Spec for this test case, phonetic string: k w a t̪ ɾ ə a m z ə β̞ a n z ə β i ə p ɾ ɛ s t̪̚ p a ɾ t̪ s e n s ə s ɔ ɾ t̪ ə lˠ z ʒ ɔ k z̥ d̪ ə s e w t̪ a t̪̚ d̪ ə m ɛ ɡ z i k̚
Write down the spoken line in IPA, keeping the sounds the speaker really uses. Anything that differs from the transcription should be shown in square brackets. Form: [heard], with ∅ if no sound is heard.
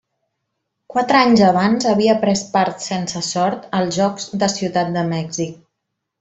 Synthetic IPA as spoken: k w a t̪ ɾ ə a [ɲ] z ə β̞ a n z ə β i ə p ɾ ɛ s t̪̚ p a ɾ t̪ s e n s ə s ɔ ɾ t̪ ə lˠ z ʒ ɔ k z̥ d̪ ə s [i] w t̪ a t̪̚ d̪ ə m ɛ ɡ z i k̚